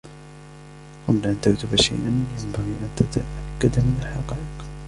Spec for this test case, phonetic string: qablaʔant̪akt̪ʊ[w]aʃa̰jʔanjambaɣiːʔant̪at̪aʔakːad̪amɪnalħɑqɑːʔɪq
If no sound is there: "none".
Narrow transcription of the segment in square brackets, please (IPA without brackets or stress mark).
b